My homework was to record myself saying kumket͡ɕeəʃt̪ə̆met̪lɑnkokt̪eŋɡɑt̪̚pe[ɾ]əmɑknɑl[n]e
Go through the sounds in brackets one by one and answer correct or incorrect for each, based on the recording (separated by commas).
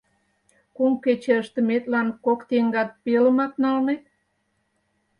incorrect, correct